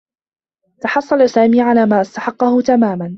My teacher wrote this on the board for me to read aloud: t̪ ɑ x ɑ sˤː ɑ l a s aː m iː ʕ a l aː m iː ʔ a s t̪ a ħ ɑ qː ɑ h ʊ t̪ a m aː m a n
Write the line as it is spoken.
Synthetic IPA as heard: t̪ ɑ ħ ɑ sˤː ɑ l a s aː m iː ʕ a l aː m aː ʔ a s t̪ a ħ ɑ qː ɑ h ʊ t̪ a m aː m a n

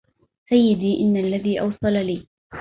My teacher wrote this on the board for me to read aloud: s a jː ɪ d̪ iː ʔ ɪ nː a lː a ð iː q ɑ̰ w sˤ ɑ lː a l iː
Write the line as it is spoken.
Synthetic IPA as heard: s a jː ɪ d̪ iː ʔ ɪ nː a lː a ð iː ʔ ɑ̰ w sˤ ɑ l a l iː

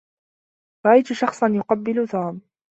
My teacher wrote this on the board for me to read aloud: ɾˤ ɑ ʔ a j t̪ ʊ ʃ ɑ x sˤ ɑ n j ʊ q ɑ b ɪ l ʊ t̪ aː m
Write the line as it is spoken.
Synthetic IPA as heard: ɾˤ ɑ ʔ a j t̪ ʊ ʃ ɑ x sˤ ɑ n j ʊ q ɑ bː ɪ l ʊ t̪ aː m

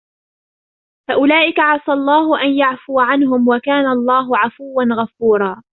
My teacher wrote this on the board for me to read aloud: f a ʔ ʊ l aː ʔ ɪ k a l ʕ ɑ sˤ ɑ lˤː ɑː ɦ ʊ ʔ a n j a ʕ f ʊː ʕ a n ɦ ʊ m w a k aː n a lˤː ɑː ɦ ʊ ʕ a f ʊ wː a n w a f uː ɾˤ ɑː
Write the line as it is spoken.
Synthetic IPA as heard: f a ʔ ʊ l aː ʔ ɪ k a ʕ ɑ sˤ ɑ lˤː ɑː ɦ ʊ ʔ a n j a ʕ f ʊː ʕ a n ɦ ʊ m w a k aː n a lˤː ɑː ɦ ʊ ʕ a f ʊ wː a n ɣ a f uː ɾˤ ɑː

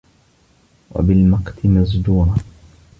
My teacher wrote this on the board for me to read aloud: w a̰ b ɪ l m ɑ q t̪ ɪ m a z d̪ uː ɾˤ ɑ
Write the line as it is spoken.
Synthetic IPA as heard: w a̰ b ɪ l m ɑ q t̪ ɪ m a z d̪ uː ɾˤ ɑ

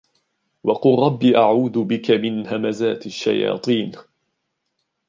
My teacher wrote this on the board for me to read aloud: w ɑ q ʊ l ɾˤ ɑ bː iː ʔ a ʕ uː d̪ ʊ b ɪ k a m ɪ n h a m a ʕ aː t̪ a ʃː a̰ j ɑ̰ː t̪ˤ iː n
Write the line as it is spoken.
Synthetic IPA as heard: w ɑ q ʊ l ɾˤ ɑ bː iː ʔ a ʕ uː d̪ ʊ b ɪ k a m ɪ n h a m a z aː t̪ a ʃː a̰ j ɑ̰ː t̪ˤ iː n

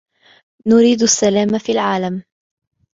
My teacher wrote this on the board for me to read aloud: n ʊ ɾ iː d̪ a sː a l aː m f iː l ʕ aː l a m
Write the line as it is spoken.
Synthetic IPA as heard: n ʊ ɾ iː d̪ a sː a l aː m f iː l ʕ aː l a m

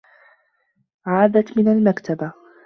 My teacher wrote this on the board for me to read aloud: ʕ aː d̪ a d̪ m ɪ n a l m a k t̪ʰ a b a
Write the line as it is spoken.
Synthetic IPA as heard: ʕ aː d̪ a t̪ m ɪ n a l m a k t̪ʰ a b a

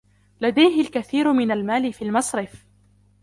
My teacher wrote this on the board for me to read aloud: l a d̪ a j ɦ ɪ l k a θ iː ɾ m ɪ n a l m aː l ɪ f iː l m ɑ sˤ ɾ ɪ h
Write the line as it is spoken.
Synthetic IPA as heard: l a d̪ a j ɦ ɪ l k a θ iː ɾ m ɪ n a l m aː l ɪ f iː l m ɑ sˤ ɾ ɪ f

